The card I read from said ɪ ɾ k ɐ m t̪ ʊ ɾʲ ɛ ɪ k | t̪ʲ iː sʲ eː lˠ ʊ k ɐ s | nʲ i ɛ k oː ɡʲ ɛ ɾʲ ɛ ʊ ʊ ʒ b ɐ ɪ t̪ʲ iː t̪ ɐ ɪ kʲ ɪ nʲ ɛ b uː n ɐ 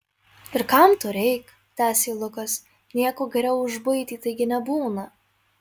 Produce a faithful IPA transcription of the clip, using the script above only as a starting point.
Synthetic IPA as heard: ɪ ɾ k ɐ m t̪ ʊ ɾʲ ɛ ɪ k | t̪ʲ æː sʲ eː lˠ ʊ k ɐ s | nʲ i ɛ k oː ɡʲ ɛ ɾʲ ɛ ʊ ʊ ʒ b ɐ ɪ t̪ʲ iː t̪ ɐ ɪ ɡʲ ɪ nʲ ɛ b uː n ɐ